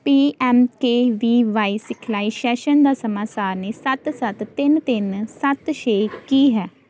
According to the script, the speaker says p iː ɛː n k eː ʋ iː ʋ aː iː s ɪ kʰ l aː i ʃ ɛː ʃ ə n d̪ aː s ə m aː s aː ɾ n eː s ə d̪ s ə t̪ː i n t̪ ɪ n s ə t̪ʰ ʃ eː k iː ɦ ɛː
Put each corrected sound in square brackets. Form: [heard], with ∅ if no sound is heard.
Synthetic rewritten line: p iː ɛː [m] k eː ʋ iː ʋ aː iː s ɪ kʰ l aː i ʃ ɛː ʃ ə n d̪ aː s ə m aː s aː ɾ n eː s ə [t̪] s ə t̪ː [ɪ] n t̪ ɪ n s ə [t̪] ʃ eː k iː ɦ ɛː

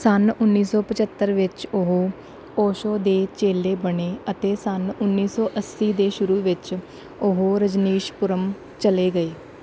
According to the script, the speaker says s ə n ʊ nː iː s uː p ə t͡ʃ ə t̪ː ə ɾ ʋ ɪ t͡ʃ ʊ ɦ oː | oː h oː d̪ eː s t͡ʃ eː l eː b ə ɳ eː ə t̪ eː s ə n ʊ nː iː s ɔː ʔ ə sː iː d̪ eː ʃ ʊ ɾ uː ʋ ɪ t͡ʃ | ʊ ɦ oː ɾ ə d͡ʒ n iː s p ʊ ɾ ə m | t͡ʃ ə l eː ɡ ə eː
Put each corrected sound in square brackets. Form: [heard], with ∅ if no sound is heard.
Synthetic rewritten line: s ə n ʊ nː iː s [ɔː] p ə t͡ʃ ə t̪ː ə ɾ ʋ ɪ t͡ʃ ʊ ɦ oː | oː [ʃ] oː d̪ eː [∅] t͡ʃ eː l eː b ə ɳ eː ə t̪ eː s ə n ʊ nː iː s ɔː ʔ ə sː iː d̪ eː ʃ ʊ ɾ uː ʋ ɪ t͡ʃ | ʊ ɦ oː ɾ ə d͡ʒ n iː [ʃ] p ʊ ɾ ə m | t͡ʃ ə l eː ɡ ə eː

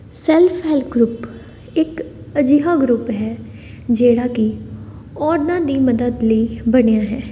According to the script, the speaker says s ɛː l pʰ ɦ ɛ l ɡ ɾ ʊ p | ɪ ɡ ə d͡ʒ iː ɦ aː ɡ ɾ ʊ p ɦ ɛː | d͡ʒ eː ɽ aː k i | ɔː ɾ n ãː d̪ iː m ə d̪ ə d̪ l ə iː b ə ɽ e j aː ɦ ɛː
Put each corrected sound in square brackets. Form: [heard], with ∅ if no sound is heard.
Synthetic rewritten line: s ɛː l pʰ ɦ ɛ l ɡ ɾ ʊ p | ɪ [k] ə d͡ʒ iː ɦ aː ɡ ɾ ʊ p ɦ ɛː | d͡ʒ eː ɽ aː k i | ɔː ɾ n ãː d̪ iː m ə d̪ ə d̪ l ə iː b ə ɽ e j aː ɦ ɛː

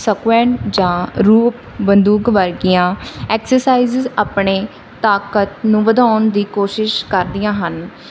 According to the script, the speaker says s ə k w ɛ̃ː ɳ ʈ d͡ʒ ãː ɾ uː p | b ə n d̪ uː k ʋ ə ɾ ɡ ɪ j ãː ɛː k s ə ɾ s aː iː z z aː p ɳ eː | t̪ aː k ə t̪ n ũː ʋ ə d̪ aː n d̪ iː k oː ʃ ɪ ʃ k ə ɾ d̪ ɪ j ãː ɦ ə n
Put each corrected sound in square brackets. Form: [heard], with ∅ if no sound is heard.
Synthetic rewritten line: s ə k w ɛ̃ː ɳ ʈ d͡ʒ ãː ɾ uː p | b ə n d̪ uː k ʋ ə ɾ ɡ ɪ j ãː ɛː k s ə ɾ s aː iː z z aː p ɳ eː | t̪ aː k ə t̪ n ũː ʋ ə d̪ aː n d̪ iː k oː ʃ ɪ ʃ k ə ɾ d̪ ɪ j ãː ɦ ə n

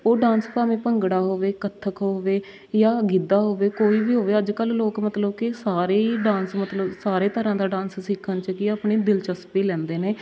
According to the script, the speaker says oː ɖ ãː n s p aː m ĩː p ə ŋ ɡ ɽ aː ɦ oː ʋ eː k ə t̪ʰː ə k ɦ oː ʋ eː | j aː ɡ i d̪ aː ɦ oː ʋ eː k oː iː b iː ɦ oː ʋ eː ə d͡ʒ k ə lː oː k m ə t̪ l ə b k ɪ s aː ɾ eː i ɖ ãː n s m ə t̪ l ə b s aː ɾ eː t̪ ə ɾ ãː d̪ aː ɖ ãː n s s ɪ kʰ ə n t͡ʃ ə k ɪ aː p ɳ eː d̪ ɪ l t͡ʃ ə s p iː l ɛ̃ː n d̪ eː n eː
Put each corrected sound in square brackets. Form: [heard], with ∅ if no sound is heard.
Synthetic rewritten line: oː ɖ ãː n s p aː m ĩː p ə ŋ ɡ ɽ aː ɦ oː ʋ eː k ə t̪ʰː ə k ɦ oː ʋ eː | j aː ɡ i d̪ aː ɦ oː ʋ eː k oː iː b iː ɦ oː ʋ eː ə d͡ʒ k ə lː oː k m ə t̪ l ə b k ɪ s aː ɾ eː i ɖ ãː n s m ə t̪ l ə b s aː ɾ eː t̪ ə ɾ ãː d̪ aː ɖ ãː n s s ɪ kʰ ə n t͡ʃ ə k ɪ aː p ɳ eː d̪ ɪ l t͡ʃ ə s p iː l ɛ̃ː n d̪ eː n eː

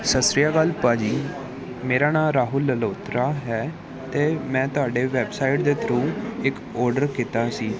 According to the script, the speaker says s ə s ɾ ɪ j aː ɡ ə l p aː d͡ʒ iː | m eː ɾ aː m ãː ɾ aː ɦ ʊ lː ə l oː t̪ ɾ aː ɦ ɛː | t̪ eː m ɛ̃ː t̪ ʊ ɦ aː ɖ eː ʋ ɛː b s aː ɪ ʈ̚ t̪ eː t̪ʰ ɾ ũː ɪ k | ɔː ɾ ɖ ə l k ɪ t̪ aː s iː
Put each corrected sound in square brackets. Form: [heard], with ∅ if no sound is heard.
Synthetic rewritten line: s ə s ɾ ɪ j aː ɡ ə l p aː d͡ʒ iː | m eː ɾ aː [n] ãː ɾ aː ɦ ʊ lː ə l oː t̪ ɾ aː ɦ ɛː | t̪ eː m ɛ̃ː t̪ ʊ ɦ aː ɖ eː ʋ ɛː b s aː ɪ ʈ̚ [d̪] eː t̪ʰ ɾ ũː ɪ k | ɔː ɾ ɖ ə [ɾ] k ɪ t̪ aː s iː

